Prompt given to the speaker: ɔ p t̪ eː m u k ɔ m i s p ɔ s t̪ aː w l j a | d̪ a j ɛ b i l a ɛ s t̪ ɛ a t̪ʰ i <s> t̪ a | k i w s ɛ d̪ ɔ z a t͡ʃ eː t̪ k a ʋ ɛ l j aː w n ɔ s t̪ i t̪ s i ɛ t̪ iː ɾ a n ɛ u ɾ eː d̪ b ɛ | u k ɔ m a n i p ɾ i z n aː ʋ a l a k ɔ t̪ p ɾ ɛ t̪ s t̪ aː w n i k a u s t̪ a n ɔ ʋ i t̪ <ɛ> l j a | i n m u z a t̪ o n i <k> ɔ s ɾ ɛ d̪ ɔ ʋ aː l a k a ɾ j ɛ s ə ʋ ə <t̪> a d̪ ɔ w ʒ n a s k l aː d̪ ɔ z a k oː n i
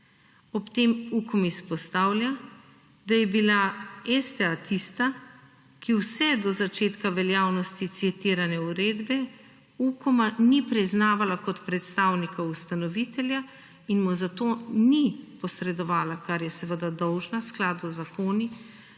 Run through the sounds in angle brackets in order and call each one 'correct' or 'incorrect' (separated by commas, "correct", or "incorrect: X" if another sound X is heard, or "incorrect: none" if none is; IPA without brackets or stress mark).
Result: correct, correct, incorrect: p, incorrect: d̪